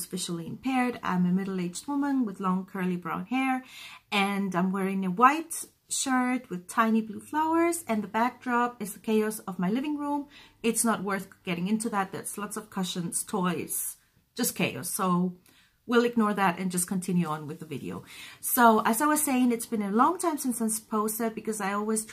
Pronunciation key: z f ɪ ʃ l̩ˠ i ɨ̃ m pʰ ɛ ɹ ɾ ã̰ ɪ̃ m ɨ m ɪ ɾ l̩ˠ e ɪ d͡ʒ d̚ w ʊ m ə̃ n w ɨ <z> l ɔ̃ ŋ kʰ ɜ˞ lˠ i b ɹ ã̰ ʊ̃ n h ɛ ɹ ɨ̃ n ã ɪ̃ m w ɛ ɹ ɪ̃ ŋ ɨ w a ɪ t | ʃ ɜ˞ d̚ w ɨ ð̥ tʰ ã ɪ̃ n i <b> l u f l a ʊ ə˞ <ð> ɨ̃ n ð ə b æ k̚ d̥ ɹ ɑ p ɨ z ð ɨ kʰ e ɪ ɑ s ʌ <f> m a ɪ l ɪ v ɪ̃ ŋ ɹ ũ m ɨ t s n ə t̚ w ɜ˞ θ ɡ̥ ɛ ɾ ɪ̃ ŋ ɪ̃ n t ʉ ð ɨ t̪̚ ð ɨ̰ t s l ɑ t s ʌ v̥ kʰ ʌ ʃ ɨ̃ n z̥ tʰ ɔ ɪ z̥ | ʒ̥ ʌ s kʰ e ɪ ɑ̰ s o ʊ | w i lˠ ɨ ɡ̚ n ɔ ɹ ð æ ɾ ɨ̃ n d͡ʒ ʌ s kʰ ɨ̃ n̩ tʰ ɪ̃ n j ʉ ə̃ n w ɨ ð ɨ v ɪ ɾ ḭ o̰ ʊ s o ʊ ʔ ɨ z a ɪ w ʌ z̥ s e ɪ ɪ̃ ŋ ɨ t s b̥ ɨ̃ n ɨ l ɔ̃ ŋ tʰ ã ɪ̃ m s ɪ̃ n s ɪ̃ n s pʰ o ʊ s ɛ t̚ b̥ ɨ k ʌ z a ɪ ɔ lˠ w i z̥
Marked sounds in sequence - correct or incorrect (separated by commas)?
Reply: incorrect, correct, incorrect, incorrect